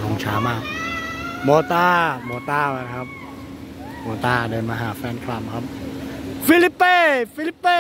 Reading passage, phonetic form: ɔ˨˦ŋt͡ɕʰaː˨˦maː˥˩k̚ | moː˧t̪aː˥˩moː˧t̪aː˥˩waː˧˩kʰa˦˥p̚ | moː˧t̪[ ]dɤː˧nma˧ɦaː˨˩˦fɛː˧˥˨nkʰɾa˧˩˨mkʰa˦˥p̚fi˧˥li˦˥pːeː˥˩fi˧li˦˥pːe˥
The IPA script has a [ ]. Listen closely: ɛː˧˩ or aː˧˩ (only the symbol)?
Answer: aː˧˩